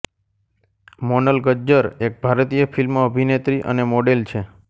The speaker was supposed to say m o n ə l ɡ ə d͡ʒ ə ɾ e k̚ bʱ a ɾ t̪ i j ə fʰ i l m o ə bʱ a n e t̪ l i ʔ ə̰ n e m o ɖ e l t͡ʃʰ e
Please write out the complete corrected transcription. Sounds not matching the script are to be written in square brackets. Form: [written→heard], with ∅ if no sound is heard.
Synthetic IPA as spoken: m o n ə l ɡ ə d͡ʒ ə ɾ e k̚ bʱ a ɾ t̪ i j ə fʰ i l m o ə bʱ [a→i] n e t̪ [l→ɾ] i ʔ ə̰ n e m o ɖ e l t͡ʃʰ e